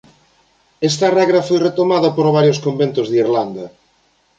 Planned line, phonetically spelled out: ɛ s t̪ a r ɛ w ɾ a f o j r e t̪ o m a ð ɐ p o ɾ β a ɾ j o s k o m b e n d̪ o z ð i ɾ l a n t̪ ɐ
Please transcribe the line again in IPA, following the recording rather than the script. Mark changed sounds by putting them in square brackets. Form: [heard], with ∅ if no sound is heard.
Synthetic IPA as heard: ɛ s t̪ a r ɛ [ɣ] ɾ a f o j r e t̪ o m a ð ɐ p o ɾ β a ɾ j o s k o m b e n [t̪] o z ð i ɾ l a n [d̪] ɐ